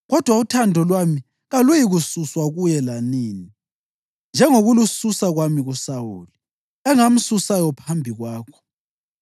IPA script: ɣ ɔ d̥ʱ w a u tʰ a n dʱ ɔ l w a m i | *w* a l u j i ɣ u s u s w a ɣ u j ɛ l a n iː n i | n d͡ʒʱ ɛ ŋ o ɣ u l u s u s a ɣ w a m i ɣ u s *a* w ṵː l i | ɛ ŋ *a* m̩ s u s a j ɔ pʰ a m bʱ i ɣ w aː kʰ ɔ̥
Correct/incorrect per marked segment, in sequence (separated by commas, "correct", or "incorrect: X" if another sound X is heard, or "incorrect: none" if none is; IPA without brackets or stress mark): incorrect: ɣ, correct, correct